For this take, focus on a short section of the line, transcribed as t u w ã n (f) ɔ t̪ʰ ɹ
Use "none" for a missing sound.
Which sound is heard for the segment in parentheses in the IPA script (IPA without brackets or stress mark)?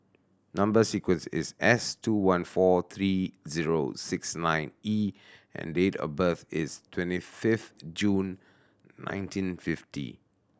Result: f